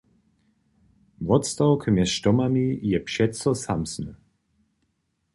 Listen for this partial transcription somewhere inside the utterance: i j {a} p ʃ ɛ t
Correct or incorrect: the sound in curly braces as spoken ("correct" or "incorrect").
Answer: incorrect